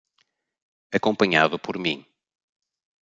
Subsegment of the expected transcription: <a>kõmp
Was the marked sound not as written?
yes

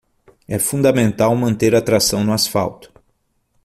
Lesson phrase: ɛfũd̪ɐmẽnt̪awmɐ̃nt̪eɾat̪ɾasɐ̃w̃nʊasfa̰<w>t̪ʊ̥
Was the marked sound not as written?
no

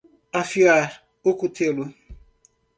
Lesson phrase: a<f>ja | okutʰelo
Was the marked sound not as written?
no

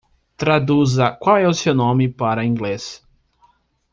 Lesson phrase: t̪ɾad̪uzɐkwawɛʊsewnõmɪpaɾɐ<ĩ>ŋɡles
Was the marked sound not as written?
no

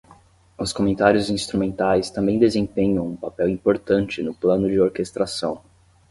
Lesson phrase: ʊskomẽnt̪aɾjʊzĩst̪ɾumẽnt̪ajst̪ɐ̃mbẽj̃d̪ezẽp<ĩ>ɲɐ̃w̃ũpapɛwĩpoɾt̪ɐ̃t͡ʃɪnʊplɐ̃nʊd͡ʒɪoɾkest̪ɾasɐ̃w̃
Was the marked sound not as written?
yes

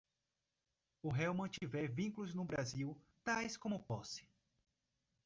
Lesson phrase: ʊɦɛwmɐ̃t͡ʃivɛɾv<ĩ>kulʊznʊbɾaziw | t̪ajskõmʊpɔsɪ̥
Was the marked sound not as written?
no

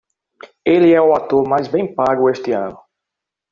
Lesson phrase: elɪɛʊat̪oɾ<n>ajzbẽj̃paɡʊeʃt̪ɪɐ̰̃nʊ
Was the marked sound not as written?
yes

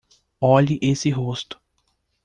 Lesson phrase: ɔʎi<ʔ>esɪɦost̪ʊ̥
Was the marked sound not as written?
no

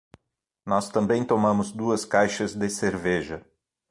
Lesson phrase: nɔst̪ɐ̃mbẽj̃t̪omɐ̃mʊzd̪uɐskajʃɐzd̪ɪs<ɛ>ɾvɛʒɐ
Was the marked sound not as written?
yes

